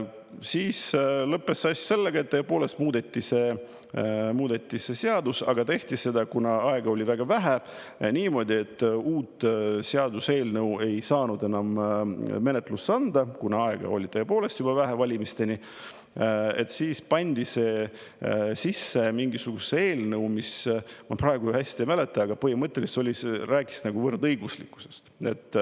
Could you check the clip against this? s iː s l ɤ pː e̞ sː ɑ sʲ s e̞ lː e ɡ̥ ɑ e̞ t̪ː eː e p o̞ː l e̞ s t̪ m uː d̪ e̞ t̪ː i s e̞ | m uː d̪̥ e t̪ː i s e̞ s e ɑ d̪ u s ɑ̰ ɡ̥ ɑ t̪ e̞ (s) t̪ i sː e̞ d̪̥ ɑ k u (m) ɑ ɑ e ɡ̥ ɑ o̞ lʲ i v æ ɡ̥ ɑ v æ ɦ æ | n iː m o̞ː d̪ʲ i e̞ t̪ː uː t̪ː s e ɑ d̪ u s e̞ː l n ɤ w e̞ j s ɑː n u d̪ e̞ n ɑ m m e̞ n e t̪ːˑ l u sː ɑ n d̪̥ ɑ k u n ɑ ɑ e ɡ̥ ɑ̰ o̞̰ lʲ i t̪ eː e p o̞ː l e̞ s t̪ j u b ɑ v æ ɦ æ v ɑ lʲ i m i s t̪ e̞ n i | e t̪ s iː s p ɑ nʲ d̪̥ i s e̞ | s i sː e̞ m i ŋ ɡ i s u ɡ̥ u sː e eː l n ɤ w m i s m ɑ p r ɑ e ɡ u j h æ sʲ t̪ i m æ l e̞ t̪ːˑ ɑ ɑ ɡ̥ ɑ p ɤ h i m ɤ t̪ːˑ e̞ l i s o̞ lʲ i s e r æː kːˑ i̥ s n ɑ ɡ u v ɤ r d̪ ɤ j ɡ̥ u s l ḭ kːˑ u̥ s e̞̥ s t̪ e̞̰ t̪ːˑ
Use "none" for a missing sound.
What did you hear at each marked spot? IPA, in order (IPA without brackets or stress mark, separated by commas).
h, n